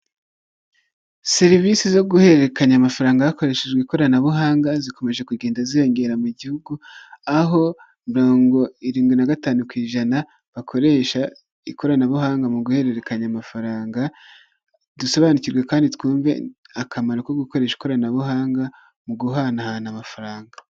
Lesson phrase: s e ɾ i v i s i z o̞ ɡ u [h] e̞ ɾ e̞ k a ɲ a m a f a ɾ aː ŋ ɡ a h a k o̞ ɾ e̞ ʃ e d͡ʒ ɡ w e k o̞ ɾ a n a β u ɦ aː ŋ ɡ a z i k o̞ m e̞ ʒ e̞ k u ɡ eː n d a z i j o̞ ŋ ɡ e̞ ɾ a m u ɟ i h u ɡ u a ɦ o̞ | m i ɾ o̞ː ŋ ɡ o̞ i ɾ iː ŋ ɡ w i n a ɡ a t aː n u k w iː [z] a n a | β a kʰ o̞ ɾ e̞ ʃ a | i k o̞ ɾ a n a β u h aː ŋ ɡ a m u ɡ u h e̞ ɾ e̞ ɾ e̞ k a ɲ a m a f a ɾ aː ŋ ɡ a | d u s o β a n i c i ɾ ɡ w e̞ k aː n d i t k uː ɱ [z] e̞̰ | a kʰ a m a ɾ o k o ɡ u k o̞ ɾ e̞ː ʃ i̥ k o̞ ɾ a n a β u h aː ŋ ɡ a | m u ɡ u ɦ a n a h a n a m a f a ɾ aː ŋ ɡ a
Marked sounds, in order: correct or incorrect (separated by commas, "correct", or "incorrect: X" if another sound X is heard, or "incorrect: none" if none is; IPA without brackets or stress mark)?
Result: correct, incorrect: ʒ, incorrect: v